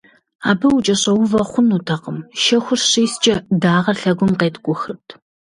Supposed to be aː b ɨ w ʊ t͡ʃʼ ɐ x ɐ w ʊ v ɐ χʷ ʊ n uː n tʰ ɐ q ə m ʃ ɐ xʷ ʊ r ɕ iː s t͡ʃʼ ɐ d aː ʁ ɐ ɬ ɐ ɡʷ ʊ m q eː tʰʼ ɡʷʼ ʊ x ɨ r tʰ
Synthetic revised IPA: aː b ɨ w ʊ t͡ʃʼ ɐ ɕ ɐ w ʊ v ɐ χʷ ʊ n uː tʰ ɐ q ə m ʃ ɐ xʷ ʊ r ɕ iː s t͡ʃʼ ɐ d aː ʁ ɐ ɬ ɐ ɡʷ ʊ m q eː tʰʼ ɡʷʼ ʊ x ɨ r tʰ